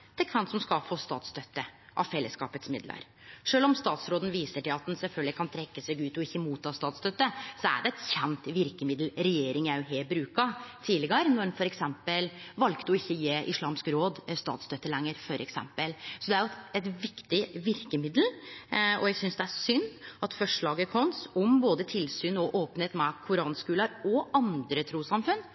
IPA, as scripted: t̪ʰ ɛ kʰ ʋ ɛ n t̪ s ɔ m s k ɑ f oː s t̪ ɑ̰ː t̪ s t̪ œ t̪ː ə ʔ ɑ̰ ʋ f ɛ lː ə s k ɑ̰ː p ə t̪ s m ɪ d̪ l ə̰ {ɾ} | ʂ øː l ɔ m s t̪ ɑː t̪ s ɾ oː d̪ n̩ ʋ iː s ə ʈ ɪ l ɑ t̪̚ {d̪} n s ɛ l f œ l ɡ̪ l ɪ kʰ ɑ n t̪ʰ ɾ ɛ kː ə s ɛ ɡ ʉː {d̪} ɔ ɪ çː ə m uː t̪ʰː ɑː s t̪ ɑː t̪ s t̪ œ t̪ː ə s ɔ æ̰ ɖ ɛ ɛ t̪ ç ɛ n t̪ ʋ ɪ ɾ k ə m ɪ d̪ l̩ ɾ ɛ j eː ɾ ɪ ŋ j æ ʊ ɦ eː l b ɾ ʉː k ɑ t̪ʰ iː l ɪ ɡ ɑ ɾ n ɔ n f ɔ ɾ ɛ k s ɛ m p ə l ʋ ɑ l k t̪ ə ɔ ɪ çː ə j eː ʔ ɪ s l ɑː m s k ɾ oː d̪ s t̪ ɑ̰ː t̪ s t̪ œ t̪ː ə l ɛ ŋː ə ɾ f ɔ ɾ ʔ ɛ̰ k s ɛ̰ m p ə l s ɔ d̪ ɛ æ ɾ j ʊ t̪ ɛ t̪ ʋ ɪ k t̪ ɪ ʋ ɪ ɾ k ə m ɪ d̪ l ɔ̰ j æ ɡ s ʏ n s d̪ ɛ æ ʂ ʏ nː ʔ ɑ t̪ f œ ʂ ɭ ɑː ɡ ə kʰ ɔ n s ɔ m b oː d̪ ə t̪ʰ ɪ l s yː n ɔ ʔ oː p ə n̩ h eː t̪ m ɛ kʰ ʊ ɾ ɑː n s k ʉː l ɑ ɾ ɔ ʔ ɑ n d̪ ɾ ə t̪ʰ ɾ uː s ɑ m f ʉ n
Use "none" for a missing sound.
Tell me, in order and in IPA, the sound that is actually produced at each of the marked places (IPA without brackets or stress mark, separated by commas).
ɾ, d̪, t̪